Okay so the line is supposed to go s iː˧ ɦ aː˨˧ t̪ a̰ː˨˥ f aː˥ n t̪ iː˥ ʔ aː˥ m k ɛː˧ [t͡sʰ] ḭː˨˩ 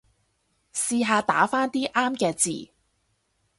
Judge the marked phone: incorrect: t͡s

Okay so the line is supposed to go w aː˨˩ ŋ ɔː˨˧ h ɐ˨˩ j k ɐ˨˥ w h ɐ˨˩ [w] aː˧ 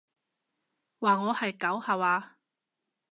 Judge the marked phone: correct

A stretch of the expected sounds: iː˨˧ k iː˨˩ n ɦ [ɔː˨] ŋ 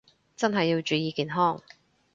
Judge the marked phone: incorrect: ɔː˥˩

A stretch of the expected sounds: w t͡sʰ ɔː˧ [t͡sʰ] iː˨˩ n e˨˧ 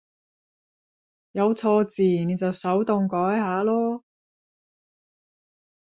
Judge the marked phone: incorrect: t͡s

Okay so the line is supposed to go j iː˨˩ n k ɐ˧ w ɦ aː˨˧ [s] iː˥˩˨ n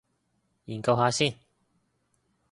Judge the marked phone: correct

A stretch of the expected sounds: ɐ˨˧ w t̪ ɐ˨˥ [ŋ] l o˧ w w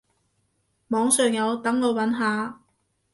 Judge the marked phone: correct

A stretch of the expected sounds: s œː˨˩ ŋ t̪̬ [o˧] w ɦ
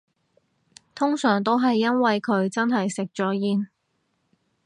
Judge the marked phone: incorrect: o˥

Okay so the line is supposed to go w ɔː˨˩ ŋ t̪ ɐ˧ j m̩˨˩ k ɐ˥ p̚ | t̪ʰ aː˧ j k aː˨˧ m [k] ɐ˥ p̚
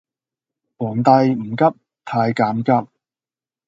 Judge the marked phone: correct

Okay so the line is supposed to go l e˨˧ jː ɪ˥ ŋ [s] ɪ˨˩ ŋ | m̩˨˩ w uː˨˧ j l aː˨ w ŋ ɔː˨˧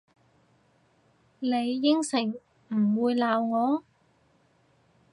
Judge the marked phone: correct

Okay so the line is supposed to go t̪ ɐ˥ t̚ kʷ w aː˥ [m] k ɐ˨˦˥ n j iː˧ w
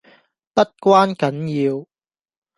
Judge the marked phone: incorrect: n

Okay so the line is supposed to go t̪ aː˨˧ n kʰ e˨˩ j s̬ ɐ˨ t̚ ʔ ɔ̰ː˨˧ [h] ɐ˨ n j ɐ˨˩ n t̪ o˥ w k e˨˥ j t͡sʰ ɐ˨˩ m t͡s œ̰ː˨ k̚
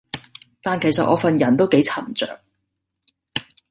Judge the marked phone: incorrect: f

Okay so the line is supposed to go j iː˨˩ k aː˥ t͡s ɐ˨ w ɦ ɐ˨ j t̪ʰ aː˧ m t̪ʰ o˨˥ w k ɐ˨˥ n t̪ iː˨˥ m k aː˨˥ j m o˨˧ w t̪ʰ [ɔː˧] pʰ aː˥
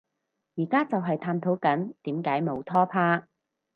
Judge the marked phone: incorrect: ɔː˥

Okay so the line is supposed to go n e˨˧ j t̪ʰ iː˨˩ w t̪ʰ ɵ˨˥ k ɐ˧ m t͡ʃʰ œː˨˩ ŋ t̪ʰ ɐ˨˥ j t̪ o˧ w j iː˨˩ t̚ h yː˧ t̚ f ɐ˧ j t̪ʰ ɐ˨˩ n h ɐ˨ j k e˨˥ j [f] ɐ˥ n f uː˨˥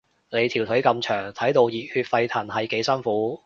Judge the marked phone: incorrect: s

